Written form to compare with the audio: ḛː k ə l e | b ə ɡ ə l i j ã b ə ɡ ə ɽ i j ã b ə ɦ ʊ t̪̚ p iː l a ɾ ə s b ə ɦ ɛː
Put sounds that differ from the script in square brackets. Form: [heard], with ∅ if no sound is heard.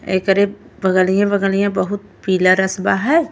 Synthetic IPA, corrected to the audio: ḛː k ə [ɾ] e | b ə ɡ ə l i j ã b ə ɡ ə [l] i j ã b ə ɦ ʊ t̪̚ p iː l a ɾ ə s b [a] ɦ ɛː